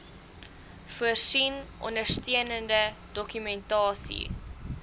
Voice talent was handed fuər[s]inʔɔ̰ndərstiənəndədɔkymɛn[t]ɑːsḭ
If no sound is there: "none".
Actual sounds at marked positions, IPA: s, t

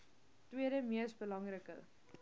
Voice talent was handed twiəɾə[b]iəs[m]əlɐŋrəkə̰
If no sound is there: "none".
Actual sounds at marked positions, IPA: m, b

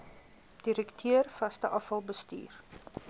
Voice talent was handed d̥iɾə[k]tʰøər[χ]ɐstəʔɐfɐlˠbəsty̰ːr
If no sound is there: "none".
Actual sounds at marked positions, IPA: k, f

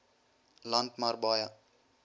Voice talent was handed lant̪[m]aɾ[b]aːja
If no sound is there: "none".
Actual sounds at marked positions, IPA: m, b

